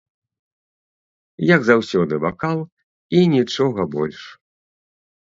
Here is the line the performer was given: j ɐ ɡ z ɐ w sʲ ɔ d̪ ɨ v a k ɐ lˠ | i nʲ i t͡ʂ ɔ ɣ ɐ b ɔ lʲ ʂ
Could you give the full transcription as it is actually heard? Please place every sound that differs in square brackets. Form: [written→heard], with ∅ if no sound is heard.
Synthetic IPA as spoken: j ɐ ɡ z [ɐ→a] w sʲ ɔ d̪ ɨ v a k [ɐ→a] lˠ | i nʲ i t͡ʂ ɔ ɣ ɐ b ɔ lʲ ʂ